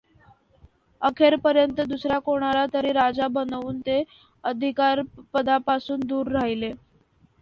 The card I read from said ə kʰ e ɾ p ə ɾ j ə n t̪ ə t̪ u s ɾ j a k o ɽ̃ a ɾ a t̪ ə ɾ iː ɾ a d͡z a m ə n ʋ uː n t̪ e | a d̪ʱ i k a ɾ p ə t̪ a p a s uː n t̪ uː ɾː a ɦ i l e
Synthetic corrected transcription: ə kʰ e ɾ p ə ɾ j ə n t̪ ə d̪ u s ɾ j a k o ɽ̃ a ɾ a t̪ ə ɾ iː ɾ a d͡z a b ə n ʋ uː n t̪ e | ə d̪ʱ i k a ɾ p ə d̪ a p a s uː n d̪ uː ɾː a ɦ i l e

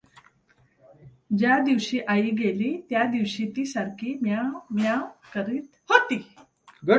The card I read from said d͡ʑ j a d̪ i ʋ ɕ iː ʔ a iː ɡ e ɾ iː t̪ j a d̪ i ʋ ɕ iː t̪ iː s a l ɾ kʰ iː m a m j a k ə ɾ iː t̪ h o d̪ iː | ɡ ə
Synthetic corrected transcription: d͡ʑ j a d̪ i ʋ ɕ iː ʔ a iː ɡ e l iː t̪ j a d̪ i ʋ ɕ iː t̪ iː s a ɾ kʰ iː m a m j a k ə ɾ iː t̪ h o t̪ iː | ɡ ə

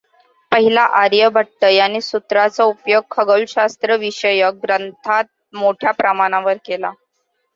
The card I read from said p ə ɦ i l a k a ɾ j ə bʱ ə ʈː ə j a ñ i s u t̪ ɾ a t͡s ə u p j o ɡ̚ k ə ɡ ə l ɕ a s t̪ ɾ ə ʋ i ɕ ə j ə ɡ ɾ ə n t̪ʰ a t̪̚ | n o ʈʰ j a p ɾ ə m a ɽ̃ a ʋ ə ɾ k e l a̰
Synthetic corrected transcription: p ə ɦ i l a ʔ a ɾ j ə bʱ ə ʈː ə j a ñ i s u t̪ ɾ a t͡s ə u p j o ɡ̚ kʰ ə ɡ ə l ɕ a s t̪ ɾ ə ʋ i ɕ ə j ə ɡ ɾ ə n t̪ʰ a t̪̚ | m o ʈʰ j a p ɾ ə m a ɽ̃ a ʋ ə ɾ k e l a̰

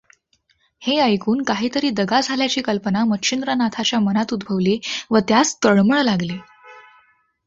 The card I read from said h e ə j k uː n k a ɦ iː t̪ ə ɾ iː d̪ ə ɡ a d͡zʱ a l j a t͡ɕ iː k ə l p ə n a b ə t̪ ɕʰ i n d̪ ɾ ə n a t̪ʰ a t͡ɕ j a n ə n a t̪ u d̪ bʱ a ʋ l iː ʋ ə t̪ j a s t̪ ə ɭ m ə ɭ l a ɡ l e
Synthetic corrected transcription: h e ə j k uː n k a ɦ iː t̪ ə ɾ iː d̪ ə ɡ a d͡zʱ a l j a t͡ɕ iː k ə l p ə n a m ə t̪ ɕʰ i n d̪ ɾ ə n a t̪ʰ a t͡ɕ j a m ə n a t̪ u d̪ bʱ ə ʋ l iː ʋ ə t̪ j a s t̪ ə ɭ m ə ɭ l a ɡ l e

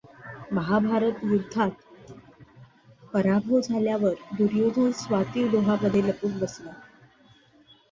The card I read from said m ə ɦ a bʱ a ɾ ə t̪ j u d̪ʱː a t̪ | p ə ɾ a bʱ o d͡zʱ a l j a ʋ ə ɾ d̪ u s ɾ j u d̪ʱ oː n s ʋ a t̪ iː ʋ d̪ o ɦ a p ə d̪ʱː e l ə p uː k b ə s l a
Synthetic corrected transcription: m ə ɦ a bʱ a ɾ ə t̪ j u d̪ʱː a t̪ | p ə ɾ a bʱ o d͡zʱ a l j a ʋ ə ɾ d̪ u ɾ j o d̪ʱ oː n s ʋ a t̪ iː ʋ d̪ o ɦ a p ə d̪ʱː e l ə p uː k b ə s l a

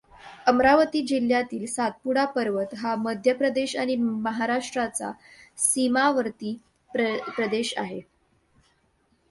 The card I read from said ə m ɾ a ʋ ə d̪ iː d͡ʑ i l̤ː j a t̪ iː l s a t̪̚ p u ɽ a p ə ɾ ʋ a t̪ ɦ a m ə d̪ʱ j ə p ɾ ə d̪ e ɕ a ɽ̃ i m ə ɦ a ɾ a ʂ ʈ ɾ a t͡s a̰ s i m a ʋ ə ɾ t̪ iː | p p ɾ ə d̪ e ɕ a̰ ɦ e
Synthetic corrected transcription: ə m ɾ a ʋ ə t̪ iː d͡ʑ i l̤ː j a t̪ iː l s a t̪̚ p u ɽ a p ə ɾ ʋ ə t̪ ɦ a m ə d̪ʱ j ə p ɾ ə d̪ e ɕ a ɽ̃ i m ə ɦ a ɾ a ʂ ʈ ɾ a t͡s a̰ s i m a ʋ ə ɾ t̪ iː | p p ɾ ə d̪ e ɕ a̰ ɦ e

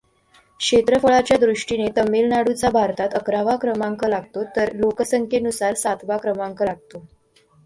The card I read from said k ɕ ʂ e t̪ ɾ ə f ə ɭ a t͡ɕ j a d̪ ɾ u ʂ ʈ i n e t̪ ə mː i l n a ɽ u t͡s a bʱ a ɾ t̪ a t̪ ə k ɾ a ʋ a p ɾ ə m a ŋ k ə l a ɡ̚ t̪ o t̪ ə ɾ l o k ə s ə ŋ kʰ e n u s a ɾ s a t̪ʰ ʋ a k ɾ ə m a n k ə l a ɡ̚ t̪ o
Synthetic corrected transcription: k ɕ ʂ e t̪ ɾ ə f ə ɭ a t͡ɕ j a d̪ ɾ u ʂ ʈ i n e t̪ ə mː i l n a ɽ u t͡s a bʱ a ɾ t̪ a t̪ ə k ɾ a ʋ a k ɾ ə m a ŋ k ə l a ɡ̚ t̪ o t̪ ə ɾ l o k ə s ə ŋ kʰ e n u s a ɾ s a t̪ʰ ʋ a k ɾ ə m a ŋ k ə l a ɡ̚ t̪ o

